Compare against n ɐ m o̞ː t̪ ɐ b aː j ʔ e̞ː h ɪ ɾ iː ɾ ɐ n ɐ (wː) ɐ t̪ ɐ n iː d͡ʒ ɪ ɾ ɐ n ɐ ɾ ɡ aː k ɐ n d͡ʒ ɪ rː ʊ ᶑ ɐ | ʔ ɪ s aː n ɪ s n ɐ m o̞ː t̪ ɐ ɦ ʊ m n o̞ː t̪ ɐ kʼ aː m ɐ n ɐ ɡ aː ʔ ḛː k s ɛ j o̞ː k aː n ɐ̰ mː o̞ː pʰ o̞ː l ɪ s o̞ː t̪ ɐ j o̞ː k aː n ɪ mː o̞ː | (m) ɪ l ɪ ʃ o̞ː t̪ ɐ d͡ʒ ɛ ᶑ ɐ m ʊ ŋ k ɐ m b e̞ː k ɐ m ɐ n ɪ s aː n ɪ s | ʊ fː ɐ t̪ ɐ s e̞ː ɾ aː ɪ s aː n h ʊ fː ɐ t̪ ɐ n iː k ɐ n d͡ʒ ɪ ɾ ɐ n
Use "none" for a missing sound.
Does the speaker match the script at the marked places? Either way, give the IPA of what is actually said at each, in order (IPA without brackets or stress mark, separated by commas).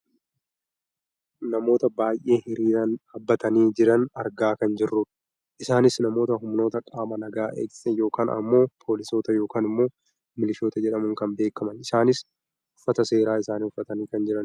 bː, m